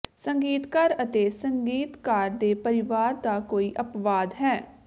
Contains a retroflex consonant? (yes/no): no